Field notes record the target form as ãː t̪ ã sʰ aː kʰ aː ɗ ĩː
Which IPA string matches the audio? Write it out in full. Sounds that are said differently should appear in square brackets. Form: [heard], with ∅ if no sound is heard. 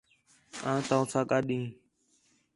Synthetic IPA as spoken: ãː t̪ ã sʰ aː [k] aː ɗ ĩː